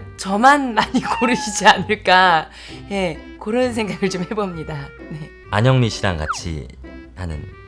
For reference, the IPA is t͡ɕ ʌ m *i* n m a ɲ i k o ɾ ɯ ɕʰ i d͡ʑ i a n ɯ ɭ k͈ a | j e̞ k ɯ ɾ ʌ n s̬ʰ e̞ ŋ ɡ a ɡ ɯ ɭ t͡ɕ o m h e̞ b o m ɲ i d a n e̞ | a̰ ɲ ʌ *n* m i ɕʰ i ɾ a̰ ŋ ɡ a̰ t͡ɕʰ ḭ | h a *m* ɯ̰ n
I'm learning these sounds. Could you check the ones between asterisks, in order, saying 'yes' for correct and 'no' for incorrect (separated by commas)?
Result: no, no, no